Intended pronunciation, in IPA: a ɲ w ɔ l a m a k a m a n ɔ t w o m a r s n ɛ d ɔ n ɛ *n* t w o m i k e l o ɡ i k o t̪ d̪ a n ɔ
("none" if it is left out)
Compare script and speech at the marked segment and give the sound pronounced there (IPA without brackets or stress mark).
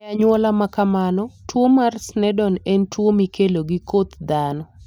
n